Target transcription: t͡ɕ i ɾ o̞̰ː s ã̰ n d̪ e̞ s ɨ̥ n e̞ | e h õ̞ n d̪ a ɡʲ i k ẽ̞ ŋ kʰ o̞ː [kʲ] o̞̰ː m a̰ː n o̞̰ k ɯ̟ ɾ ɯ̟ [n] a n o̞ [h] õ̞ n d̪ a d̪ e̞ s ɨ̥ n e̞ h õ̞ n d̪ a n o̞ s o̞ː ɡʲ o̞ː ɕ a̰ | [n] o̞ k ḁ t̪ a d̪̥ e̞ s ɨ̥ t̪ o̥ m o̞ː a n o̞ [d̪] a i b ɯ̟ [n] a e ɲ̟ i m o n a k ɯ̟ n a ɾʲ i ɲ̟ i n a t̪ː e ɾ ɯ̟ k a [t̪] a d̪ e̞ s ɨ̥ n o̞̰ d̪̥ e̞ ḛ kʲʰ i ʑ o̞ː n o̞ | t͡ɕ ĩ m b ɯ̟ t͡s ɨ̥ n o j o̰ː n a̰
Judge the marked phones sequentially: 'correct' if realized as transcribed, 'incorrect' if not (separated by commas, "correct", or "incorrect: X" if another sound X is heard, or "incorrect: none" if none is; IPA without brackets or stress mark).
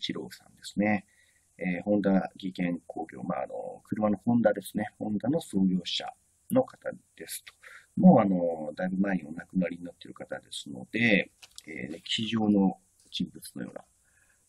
incorrect: ɡʲ, incorrect: m, correct, correct, correct, incorrect: m, correct